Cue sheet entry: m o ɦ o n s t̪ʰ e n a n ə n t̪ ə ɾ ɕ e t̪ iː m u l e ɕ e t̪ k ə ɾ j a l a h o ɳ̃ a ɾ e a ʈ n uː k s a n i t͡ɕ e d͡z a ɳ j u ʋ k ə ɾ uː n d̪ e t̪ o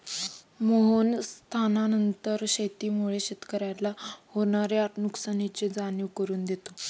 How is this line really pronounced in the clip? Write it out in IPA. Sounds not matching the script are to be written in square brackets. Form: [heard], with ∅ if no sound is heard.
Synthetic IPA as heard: m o ɦ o n s t̪ʰ [a] n a n ə n t̪ ə ɾ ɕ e t̪ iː m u [ɭ] e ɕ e t̪ k ə ɾ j a l a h o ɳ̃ a ɾ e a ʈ n [u] k s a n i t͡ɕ e d͡z a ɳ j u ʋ k ə ɾ uː n d̪ e t̪ o